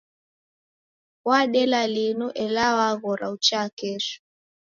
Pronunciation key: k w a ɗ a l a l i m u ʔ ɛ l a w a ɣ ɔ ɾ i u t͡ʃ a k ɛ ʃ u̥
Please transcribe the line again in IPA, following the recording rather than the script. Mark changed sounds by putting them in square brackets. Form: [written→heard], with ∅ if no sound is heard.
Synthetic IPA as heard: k w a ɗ [a→ɛ] l a l i [m→n] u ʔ ɛ l a w a ɣ ɔ ɾ [i→a] u t͡ʃ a k ɛ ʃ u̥

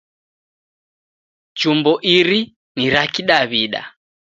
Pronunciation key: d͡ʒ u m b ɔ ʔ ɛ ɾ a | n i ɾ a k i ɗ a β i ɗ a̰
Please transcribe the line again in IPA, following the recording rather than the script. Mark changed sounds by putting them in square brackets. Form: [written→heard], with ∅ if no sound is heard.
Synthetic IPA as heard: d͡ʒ u m b ɔ ʔ [ɛ→i] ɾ [a→i] | n i ɾ a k i ɗ a β i ɗ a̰

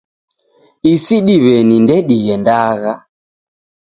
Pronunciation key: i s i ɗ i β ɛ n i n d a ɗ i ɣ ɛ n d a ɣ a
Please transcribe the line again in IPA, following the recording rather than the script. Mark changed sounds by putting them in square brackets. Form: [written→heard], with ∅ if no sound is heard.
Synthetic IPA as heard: i s i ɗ i β ɛ n i n d [a→ɛ] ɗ i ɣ ɛ n d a ɣ a

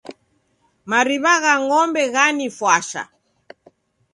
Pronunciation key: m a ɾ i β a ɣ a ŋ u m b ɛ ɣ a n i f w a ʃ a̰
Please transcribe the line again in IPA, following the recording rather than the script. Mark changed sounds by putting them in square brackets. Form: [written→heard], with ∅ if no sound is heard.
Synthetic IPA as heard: m a ɾ i β a ɣ a ŋ [u→ɔ] m b ɛ ɣ a n i f w a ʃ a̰

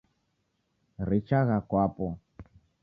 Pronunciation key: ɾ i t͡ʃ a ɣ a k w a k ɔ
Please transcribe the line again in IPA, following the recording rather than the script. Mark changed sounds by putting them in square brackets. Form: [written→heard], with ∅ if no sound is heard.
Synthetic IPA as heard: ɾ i t͡ʃ a ɣ a k w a [k→p] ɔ

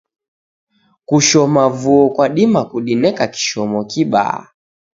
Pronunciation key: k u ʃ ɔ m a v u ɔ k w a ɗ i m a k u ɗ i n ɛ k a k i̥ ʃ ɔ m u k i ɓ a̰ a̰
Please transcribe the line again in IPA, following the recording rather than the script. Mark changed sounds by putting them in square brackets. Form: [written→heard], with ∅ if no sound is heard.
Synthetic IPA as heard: k u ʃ ɔ m a v u ɔ k w a ɗ i m a k u ɗ i n ɛ k a k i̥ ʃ ɔ m [u→ɔ] k i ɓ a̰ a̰

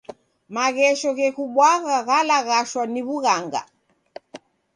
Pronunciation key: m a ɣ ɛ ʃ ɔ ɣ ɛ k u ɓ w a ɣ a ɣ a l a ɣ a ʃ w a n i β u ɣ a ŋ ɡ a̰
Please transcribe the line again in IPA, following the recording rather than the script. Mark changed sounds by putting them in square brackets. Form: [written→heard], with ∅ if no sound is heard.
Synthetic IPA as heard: m a ɣ ɛ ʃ ɔ ɣ ɛ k u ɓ w a ɣ a ɣ a l a ɣ a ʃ w a n i β u ɣ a ŋ ɡ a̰

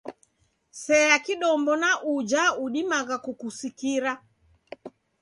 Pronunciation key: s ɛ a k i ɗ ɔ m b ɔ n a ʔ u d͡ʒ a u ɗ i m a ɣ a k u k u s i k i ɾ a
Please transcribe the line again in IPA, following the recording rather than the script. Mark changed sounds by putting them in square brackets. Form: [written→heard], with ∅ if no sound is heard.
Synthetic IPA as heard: s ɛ a k i ɗ ɔ m b ɔ n a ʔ u d͡ʒ a u ɗ i m a ɣ a k u k u s i k i ɾ a

